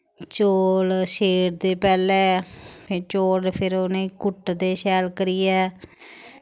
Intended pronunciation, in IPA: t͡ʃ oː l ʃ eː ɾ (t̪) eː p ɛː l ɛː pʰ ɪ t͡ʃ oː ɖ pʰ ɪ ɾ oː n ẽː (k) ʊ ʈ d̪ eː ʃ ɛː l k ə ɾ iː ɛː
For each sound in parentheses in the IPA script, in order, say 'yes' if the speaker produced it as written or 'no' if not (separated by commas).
no, yes